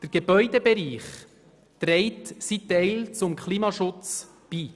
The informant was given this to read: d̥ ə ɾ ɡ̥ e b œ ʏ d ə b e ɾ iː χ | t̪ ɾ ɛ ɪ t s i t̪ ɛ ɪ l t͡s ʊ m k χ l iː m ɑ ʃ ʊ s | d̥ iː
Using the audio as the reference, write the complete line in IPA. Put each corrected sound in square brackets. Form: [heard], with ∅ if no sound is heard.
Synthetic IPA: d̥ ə ɾ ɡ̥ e b œ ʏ d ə b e ɾ iː χ | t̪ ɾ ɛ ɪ t s i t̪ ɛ ɪ l t͡s ʊ m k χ l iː m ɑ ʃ ʊ [t͡s] | [b̥] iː